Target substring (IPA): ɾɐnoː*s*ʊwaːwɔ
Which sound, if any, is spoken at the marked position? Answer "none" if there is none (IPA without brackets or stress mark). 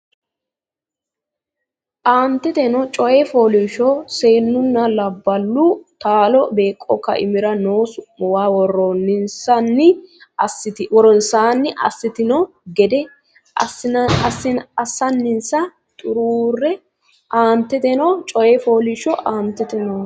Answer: s